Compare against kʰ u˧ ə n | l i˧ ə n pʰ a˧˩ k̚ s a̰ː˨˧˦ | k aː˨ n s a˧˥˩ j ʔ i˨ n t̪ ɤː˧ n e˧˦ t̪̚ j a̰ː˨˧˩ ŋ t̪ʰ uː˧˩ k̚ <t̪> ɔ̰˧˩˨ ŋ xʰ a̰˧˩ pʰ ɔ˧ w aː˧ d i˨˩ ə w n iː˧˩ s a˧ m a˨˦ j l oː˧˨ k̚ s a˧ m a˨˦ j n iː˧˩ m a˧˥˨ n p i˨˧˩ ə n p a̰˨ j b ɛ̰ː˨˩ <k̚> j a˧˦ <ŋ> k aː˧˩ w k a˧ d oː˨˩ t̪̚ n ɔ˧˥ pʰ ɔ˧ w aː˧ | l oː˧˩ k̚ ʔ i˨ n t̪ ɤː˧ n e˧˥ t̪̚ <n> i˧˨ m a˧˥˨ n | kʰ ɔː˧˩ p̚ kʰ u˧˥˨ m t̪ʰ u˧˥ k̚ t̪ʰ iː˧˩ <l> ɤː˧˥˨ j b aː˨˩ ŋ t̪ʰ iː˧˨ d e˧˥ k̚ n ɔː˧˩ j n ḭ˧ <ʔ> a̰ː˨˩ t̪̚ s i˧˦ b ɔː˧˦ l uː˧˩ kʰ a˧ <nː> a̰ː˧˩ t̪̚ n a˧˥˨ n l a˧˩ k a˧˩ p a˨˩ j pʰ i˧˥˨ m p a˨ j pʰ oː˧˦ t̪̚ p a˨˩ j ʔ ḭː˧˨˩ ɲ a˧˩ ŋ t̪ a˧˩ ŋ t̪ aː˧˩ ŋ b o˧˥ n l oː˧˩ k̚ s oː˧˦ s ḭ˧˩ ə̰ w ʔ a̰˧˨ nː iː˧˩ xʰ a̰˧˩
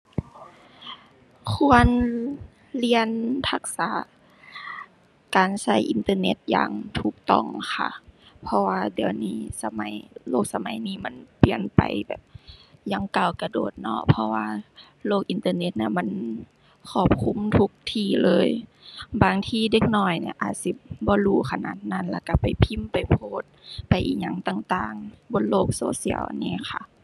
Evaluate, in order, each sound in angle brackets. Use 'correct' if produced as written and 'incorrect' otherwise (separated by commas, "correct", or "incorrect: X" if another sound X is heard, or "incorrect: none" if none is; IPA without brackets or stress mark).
correct, incorrect: p̚, correct, correct, correct, correct, incorrect: n